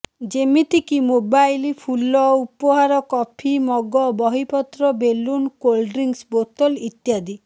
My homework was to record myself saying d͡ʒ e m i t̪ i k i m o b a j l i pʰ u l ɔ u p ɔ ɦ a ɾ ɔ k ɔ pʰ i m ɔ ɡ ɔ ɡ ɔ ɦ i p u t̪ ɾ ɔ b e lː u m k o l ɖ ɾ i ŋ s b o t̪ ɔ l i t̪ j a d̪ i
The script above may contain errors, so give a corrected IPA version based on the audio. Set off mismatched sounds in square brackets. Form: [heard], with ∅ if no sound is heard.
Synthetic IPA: d͡ʒ e m i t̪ i k i m o b a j l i pʰ u l ɔ u p ɔ ɦ a ɾ ɔ k ɔ pʰ i m ɔ ɡ ɔ [b] ɔ ɦ i p [ɔ] t̪ ɾ ɔ b e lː u [n] k o l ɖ ɾ i ŋ s b o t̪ ɔ l i t̪ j a d̪ i

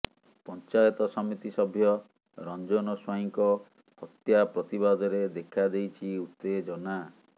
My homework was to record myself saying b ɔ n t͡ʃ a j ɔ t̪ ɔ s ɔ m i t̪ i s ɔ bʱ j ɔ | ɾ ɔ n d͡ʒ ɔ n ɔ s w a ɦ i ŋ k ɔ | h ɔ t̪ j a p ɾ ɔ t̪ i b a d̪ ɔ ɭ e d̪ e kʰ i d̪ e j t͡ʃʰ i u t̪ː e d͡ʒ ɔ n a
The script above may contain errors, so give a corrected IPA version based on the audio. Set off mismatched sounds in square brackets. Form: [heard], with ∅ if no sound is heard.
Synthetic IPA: [p] ɔ n t͡ʃ a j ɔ t̪ ɔ s ɔ m i t̪ i s ɔ bʱ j ɔ | ɾ ɔ n d͡ʒ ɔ n ɔ s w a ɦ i ŋ k ɔ | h ɔ t̪ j a p ɾ ɔ t̪ i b a d̪ ɔ [ɾ] e d̪ e kʰ [a] d̪ e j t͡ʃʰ i u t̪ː e d͡ʒ ɔ n a

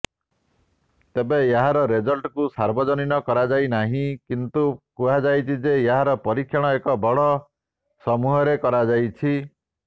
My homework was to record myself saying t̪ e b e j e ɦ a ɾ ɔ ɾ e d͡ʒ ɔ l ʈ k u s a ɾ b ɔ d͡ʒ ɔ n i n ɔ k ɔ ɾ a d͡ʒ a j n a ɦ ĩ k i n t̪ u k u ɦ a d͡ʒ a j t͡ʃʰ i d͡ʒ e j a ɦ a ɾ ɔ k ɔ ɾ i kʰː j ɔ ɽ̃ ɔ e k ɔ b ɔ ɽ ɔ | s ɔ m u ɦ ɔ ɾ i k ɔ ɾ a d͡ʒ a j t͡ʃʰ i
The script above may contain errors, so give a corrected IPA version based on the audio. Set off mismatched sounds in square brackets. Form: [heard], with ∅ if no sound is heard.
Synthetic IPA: t̪ e b e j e ɦ a ɾ ɔ ɾ e d͡ʒ ɔ l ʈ k u s a ɾ b ɔ d͡ʒ ɔ n i n ɔ k ɔ ɾ a d͡ʒ a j n a ɦ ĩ k i n t̪ u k u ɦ a d͡ʒ a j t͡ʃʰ i d͡ʒ e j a ɦ a ɾ ɔ [p] ɔ ɾ i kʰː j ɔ ɽ̃ ɔ e k ɔ b ɔ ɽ ɔ | s ɔ m u ɦ ɔ ɾ [e] k ɔ ɾ a d͡ʒ a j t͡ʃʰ i

